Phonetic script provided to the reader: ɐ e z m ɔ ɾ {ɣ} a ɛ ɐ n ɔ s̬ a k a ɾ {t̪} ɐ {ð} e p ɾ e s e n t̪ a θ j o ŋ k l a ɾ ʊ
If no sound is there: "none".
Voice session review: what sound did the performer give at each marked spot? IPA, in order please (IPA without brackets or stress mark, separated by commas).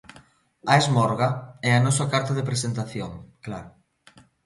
ɣ, t̪, ð